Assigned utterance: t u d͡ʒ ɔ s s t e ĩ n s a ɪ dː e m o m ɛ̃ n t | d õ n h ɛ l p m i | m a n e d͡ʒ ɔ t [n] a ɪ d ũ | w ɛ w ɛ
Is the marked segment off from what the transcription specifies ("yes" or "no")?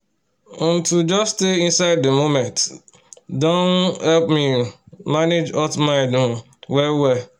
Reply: yes